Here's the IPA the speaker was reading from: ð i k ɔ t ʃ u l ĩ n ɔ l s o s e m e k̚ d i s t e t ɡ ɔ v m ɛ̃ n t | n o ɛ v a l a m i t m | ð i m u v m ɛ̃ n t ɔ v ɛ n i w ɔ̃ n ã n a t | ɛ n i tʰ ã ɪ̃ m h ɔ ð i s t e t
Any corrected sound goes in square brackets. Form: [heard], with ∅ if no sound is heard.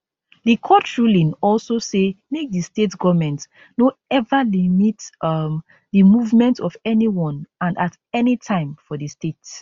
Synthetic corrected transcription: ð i [kʰ] ɔ t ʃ u l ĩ n ɔ l s o s e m e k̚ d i s t e t ɡ ɔ v m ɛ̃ n t | n o ɛ v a l [i] m i t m | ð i m u v m ɛ̃ n t ɔ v ɛ n i w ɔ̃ n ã n a t | ɛ n i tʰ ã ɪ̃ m [f] ɔ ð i s t e t